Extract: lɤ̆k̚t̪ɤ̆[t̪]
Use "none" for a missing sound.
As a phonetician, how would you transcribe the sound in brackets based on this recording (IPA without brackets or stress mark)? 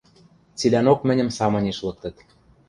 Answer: t̪